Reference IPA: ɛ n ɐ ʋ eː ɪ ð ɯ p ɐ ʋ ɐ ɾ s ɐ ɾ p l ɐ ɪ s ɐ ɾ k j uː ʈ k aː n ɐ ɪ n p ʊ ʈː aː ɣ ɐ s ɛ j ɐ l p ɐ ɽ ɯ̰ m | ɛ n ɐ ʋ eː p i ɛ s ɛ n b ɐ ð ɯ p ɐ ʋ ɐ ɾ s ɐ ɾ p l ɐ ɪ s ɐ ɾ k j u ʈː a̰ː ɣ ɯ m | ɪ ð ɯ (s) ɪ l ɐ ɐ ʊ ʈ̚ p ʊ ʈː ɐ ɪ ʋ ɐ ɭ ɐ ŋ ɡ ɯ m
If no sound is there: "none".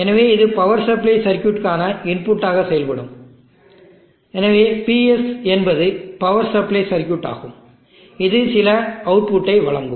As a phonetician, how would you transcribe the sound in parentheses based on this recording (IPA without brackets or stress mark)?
s